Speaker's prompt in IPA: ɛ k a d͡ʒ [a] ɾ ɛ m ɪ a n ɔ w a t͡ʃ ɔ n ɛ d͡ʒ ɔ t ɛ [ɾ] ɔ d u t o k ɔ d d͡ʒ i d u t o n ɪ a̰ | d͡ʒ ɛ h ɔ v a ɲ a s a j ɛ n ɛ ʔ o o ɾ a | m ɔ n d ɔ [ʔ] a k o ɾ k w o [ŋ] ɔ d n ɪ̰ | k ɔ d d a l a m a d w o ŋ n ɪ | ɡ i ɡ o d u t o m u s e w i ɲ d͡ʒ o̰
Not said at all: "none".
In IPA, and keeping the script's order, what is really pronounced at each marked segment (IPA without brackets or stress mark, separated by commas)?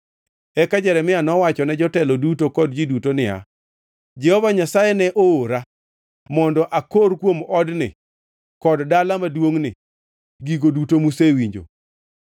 ɛ, l, ʔ, m